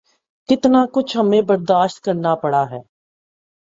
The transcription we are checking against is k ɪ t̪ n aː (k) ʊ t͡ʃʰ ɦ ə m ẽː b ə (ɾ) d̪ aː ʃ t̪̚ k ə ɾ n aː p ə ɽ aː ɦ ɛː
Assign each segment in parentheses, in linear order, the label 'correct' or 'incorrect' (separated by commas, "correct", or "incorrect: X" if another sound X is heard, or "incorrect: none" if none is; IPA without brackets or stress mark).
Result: correct, correct